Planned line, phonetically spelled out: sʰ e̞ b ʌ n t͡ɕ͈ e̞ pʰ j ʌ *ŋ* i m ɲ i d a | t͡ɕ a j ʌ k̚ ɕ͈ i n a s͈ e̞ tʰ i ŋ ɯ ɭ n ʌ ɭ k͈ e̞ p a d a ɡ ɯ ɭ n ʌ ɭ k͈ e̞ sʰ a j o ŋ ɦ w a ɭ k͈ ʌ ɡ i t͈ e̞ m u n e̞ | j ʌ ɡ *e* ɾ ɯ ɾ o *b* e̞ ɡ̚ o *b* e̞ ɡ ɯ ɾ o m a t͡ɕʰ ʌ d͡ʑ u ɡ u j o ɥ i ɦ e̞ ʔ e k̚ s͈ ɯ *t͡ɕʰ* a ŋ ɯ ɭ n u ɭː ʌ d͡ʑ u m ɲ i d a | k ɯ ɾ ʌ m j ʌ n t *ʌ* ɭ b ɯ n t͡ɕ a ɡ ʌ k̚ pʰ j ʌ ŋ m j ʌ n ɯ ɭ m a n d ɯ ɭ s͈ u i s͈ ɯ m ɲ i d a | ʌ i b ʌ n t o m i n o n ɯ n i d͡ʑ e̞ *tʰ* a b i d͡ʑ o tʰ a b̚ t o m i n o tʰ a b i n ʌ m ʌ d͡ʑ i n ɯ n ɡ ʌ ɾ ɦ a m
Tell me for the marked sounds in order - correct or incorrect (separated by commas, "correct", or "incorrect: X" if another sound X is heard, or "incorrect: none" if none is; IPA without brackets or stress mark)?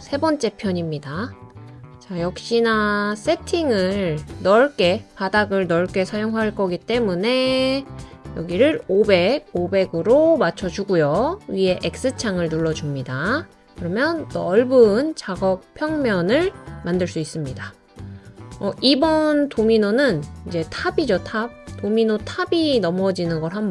incorrect: ɲ, incorrect: i, correct, correct, correct, correct, correct